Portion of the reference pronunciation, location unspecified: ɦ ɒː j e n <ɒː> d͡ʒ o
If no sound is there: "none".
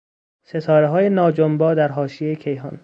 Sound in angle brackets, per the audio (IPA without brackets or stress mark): ɒː